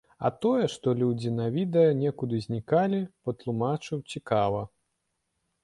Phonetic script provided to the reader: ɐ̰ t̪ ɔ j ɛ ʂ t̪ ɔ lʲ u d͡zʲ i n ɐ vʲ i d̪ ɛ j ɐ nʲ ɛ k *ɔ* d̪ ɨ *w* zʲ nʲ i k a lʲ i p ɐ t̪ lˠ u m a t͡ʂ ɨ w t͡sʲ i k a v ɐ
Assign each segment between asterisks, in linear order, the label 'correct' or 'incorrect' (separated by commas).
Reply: incorrect, incorrect